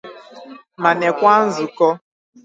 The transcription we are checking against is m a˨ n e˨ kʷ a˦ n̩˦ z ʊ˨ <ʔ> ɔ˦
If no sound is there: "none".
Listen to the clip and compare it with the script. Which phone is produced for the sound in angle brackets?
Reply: k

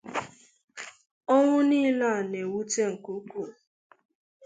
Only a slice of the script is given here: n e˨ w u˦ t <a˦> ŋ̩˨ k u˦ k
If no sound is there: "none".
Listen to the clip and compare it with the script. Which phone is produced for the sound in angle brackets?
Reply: e˦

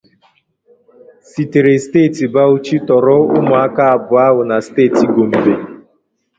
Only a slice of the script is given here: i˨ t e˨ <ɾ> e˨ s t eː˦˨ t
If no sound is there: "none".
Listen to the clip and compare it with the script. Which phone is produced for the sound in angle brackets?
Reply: ɾ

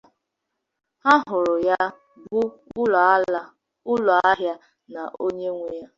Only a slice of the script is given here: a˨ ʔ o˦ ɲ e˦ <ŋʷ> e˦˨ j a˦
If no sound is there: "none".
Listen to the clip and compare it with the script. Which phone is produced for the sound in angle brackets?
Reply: ŋʷ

